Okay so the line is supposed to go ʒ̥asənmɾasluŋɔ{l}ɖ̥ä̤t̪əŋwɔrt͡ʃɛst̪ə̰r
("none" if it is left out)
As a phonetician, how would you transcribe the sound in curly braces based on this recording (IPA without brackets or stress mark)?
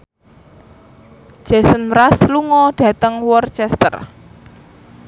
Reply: none